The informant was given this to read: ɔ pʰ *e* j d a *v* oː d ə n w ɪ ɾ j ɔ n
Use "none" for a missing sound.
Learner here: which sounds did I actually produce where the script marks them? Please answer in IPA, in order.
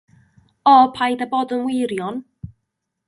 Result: a, b

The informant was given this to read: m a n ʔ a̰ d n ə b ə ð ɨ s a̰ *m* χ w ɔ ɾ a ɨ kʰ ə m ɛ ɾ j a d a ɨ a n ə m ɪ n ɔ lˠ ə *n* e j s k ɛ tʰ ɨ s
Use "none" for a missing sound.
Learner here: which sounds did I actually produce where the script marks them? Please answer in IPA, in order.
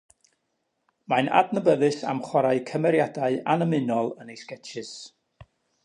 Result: m, n

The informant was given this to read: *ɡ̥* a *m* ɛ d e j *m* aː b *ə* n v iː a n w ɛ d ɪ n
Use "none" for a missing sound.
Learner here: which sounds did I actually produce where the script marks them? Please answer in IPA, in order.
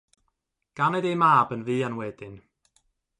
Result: ɡ̥, n, m, ə

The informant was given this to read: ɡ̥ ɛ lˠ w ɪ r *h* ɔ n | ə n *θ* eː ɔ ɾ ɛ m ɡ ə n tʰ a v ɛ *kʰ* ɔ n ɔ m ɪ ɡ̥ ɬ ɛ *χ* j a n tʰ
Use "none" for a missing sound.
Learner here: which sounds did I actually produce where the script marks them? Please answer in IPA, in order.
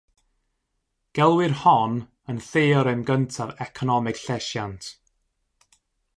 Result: h, θ, kʰ, ʃ

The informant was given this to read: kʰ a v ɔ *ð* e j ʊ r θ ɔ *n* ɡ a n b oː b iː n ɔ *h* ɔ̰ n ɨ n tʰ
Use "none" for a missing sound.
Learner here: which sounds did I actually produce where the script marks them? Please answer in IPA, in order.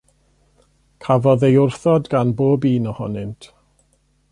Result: ð, d, h

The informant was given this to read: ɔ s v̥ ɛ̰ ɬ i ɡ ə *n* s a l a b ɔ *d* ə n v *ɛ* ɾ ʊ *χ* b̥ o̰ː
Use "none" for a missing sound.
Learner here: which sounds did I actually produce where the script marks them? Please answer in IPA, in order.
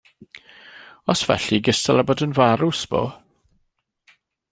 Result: none, d, a, s

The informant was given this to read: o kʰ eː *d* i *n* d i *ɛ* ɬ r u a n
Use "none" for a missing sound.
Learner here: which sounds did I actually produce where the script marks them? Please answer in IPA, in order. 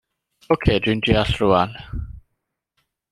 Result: d, n, a

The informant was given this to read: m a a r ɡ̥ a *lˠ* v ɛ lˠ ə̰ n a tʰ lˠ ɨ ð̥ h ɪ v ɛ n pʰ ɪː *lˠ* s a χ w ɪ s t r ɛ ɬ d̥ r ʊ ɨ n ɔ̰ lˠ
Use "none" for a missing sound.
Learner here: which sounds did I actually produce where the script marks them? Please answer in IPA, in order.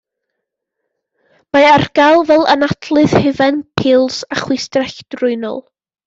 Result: lˠ, lˠ

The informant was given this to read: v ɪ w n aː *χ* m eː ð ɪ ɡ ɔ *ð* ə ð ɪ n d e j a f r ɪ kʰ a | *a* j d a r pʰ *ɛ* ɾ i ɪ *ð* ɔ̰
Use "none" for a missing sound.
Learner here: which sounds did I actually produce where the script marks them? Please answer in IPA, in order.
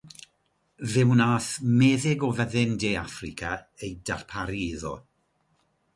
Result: θ, v, e, a, ð

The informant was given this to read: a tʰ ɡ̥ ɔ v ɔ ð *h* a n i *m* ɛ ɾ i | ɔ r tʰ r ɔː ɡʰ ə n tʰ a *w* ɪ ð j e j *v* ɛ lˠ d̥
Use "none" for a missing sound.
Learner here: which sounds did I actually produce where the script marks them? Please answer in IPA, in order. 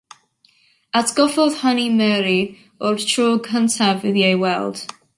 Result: h, m, v, w

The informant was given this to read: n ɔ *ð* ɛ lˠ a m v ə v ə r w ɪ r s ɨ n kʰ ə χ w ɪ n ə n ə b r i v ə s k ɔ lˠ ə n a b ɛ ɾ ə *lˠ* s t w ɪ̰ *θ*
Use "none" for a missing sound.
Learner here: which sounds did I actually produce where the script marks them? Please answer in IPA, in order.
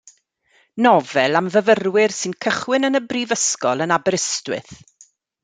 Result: v, none, θ

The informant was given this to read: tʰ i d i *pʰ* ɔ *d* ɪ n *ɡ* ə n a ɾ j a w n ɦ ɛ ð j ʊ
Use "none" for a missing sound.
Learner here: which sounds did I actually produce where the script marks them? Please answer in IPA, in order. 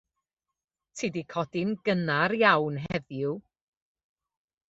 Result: kʰ, d, ɡ

